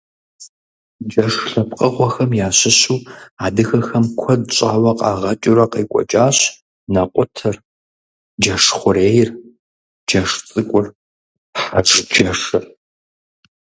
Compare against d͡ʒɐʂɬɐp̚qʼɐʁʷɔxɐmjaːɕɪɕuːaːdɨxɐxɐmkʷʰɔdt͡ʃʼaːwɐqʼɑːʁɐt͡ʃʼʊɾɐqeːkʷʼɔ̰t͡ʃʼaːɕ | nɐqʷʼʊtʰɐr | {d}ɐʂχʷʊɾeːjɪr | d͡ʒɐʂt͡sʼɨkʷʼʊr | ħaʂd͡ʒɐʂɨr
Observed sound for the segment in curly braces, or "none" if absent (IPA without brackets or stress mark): d͡ʒ